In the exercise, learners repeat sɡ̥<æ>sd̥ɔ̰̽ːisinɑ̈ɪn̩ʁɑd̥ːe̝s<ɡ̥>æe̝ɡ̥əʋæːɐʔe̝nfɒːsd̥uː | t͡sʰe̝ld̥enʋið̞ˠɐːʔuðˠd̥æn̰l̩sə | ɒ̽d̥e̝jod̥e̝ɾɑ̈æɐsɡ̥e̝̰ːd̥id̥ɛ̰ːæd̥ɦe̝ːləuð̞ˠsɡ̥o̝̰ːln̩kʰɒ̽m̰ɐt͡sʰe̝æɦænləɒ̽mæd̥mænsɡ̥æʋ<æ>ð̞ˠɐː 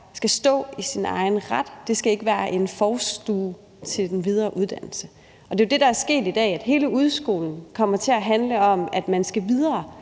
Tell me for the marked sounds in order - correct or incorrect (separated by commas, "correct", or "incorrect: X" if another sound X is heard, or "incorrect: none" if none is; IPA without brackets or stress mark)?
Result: correct, correct, incorrect: i